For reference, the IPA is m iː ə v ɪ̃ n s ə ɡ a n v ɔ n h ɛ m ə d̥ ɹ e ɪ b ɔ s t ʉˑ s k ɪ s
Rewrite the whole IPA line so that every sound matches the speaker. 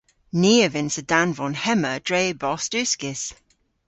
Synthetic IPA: n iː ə v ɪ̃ n s ə d a n v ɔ n h ɛ m ə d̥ ɹ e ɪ b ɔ s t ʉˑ s k ɪ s